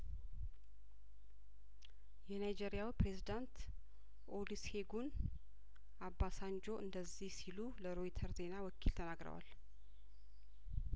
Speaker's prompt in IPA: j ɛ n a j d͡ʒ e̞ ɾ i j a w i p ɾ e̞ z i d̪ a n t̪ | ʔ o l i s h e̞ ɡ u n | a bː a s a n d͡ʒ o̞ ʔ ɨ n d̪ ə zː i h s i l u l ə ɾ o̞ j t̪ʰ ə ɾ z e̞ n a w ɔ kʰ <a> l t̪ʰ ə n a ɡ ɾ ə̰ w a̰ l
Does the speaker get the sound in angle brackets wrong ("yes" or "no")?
yes